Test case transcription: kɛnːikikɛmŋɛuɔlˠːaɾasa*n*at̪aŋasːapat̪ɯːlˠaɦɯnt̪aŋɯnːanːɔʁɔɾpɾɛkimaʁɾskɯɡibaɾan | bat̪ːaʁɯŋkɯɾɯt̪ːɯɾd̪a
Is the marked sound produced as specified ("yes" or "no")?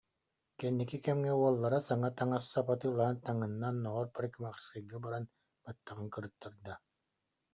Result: no